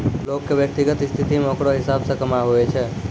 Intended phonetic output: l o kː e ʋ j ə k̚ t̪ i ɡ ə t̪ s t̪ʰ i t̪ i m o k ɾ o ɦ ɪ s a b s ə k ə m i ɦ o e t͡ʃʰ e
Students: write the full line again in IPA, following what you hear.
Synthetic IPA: l o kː e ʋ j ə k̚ t̪ i ɡ ə t̪ s t̪ʰ i t̪ i m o k ɽ o ɦ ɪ s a b s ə k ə m a ɦ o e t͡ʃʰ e